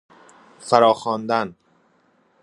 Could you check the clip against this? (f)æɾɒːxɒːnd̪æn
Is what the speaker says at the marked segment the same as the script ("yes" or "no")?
yes